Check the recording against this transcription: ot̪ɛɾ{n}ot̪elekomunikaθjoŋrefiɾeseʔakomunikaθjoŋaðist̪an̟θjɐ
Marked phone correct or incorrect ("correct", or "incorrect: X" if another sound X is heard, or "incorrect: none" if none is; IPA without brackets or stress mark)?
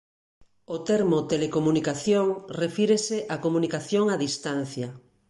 incorrect: m